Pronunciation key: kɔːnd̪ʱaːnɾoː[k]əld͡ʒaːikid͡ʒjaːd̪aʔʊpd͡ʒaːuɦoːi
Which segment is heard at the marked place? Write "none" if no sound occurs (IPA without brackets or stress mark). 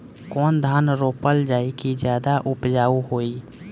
p